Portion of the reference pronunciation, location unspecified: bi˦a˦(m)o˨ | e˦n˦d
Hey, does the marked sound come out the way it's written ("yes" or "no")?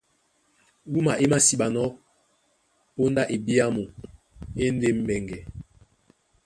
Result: yes